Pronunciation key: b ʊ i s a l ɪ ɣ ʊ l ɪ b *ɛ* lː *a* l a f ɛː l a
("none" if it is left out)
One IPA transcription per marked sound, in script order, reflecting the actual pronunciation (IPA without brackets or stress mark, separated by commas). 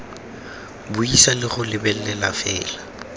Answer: ɛ, ɛ